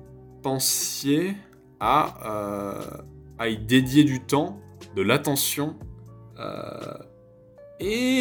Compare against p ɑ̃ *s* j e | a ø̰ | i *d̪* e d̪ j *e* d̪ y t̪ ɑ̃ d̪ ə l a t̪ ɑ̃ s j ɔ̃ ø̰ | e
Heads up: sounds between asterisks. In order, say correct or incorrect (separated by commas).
correct, correct, correct